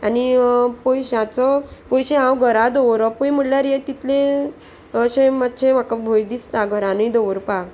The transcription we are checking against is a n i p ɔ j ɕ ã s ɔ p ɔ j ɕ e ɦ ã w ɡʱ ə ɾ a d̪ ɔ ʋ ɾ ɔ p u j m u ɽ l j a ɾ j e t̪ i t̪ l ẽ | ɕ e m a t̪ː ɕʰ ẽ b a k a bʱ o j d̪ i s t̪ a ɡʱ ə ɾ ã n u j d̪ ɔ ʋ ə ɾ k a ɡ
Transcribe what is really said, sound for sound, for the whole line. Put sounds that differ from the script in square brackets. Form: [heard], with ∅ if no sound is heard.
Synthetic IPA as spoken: a n i p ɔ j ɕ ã [t͡s] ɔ p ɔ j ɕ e ɦ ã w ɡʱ ə ɾ a d̪ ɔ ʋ ɾ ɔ p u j m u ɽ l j a ɾ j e t̪ i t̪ l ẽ | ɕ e m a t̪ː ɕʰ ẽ [m] a k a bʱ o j d̪ i s t̪ a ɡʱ ə ɾ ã n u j d̪ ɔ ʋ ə ɾ [p] a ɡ